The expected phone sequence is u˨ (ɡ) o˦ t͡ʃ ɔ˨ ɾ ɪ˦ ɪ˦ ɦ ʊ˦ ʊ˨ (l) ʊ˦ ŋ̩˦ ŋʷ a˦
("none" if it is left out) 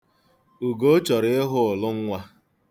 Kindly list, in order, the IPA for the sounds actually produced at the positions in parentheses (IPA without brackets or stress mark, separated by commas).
ɡ, l